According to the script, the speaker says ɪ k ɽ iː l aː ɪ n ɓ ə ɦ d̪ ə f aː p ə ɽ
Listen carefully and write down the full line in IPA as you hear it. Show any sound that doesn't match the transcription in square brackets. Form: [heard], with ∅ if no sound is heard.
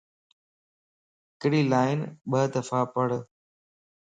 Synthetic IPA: ɪ k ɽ iː l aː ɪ n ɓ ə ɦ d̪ ə f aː p ə ɽ